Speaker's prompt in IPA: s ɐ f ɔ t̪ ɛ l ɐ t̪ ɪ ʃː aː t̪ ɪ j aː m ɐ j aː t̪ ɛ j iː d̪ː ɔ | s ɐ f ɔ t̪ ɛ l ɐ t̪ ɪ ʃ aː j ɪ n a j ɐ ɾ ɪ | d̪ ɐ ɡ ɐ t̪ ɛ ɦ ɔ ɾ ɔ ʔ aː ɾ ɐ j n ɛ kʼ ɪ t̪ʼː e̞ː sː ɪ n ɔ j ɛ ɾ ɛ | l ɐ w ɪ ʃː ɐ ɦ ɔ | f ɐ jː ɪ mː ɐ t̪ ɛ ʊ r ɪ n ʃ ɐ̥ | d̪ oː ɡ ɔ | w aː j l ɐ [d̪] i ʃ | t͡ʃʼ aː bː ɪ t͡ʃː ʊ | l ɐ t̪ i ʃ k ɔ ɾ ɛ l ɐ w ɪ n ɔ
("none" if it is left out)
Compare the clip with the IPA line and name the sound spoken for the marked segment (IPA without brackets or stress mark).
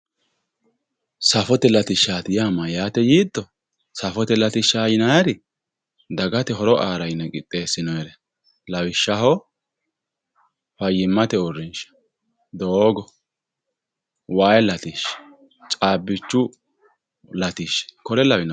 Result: t̪